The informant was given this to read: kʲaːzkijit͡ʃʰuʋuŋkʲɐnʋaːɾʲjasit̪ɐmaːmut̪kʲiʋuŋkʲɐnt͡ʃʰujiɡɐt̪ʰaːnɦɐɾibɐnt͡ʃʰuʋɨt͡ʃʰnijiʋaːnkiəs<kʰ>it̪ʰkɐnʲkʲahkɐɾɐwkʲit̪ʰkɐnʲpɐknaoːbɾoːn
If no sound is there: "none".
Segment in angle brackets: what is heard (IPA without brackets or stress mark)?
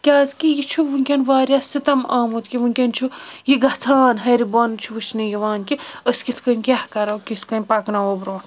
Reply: k